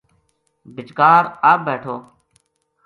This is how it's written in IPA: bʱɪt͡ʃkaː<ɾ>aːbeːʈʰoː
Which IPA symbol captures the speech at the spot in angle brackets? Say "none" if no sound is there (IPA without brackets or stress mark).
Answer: ɾ